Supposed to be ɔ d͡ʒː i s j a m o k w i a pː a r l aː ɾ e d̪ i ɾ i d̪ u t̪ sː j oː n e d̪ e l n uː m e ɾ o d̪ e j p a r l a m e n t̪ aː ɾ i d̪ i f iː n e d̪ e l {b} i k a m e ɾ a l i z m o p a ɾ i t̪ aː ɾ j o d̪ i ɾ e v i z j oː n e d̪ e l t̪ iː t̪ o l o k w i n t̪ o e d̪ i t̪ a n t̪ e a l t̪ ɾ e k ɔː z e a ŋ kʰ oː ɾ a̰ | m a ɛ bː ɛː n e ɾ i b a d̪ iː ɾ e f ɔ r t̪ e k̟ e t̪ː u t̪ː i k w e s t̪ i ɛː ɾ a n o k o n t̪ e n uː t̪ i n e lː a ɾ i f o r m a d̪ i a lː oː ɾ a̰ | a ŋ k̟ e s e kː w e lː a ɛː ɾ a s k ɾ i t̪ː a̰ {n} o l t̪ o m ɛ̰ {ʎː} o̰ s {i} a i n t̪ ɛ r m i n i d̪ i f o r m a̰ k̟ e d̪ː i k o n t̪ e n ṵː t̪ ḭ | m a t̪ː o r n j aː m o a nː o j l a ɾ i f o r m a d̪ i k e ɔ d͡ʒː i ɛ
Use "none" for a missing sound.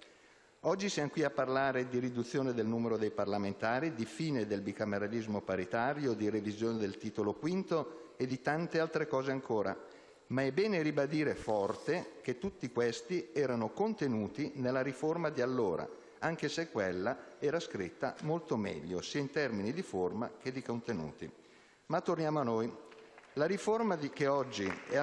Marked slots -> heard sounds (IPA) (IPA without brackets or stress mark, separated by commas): b, m, ʎː, iː